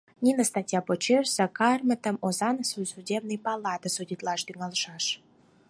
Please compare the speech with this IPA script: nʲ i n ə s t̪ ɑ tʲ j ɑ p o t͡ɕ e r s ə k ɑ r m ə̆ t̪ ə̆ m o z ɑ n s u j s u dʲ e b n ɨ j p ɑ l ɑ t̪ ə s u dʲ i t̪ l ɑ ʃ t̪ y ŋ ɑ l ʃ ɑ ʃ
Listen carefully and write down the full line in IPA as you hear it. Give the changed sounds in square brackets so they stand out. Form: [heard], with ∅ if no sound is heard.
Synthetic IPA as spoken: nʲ i n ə s t̪ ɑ tʲ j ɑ p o t͡ɕ e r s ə k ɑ r m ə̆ t̪ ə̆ m o z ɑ n s u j s u dʲ e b n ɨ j p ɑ l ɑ t̪ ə s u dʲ i t̪ l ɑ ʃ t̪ y ŋ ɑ l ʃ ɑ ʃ